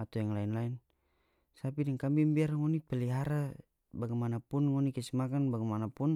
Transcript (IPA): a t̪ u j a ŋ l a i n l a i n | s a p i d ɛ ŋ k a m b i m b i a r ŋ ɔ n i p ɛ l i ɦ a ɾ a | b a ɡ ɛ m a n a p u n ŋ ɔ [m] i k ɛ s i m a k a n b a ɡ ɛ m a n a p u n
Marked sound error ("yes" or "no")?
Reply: yes